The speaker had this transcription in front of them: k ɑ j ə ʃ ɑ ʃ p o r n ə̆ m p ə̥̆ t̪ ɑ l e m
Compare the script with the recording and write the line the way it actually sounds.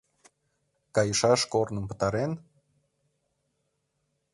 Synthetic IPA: k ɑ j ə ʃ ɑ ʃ k o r n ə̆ m p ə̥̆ t̪ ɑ ɾ e n